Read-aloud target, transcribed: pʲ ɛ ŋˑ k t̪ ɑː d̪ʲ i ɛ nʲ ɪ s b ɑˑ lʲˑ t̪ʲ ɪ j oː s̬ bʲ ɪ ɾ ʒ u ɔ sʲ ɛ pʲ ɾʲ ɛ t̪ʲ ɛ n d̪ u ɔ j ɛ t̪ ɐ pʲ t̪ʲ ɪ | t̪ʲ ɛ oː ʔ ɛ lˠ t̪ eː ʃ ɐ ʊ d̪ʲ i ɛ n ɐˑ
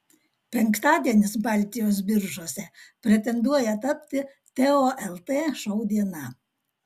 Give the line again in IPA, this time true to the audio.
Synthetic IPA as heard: pʲ ɛ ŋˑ k t̪ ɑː d̪ʲ i ɛ nʲ ɪ s b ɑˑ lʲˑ t̪ʲ ɪ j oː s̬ bʲ ɪ ɾ ʒ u ɔ sʲ ɛ pʲ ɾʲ ɛ t̪ʲ ɛ n d̪ u ɔ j ɛ t̪ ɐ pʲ t̪ʲ ɪ | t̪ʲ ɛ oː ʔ ɛ lˠ t̪ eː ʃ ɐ ʊ d̪ʲ i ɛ n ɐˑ

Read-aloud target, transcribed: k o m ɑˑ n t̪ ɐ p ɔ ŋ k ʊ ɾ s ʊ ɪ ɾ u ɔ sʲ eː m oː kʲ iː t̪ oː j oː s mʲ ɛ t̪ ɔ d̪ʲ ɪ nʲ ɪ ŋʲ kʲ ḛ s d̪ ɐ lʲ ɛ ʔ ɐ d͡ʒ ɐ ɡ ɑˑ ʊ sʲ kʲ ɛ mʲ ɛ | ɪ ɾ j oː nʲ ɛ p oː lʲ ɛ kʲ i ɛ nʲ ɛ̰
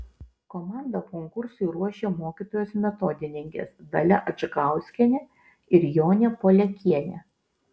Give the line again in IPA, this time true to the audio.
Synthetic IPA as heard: k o m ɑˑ n d̪ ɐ k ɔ ŋ k ʊ ɾ s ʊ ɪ ɾ u ɔ ʃʲ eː m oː kʲ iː t̪ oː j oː s mʲ ɛ t̪ ɔ d̪ʲ ɪ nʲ ɪ ŋʲ kʲ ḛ s d̪ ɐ lʲ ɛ ʔ ɐ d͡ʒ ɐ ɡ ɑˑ ʊ sʲ kʲ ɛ nʲ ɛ | ɪ ɾ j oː nʲ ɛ p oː lʲ ɛ kʲ i ɛ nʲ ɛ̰

